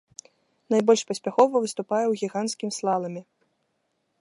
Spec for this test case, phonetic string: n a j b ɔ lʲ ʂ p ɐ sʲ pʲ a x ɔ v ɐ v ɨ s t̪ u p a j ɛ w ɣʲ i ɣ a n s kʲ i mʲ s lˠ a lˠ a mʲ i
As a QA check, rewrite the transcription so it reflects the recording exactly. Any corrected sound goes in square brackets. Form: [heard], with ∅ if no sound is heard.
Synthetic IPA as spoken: n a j b ɔ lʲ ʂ p ɐ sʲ pʲ a x ɔ v ɐ v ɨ s t̪ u p a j ɛ w ɣʲ i ɣ a n s kʲ i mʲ s lˠ a lˠ [ɐ] mʲ i